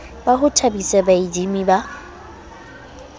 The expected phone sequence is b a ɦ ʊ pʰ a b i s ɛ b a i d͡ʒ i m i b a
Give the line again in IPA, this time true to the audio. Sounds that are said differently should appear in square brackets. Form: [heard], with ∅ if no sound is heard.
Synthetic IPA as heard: b a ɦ ʊ [tʰ] a b i s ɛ b a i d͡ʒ i m i b a